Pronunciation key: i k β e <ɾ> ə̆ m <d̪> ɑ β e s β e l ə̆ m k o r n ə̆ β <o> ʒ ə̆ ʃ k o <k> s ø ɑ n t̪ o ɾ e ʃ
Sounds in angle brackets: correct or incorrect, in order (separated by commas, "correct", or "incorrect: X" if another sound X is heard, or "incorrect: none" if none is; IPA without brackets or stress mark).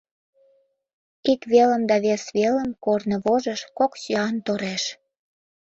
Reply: incorrect: l, correct, correct, correct